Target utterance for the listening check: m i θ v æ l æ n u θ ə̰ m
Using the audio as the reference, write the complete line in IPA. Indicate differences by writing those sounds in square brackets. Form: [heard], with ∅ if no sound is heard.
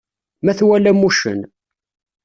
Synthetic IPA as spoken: m [æ] θ [w] æ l æ [m] u [ʃ] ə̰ [n]